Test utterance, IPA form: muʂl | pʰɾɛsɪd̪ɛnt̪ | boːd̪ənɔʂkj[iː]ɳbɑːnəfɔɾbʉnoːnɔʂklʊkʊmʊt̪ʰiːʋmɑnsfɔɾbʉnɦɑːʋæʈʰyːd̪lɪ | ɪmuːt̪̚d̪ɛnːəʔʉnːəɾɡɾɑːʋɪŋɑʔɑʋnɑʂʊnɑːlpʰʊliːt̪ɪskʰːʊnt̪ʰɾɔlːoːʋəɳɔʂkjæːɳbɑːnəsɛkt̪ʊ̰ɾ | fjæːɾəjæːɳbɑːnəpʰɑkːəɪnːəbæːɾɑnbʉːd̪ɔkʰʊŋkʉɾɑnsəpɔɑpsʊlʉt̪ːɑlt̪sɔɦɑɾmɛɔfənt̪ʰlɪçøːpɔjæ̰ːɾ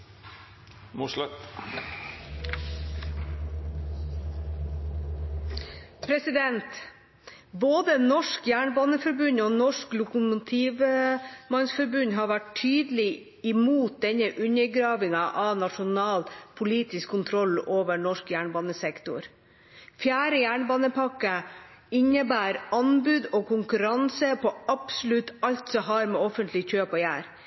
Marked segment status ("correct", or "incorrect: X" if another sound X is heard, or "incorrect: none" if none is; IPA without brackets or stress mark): incorrect: æː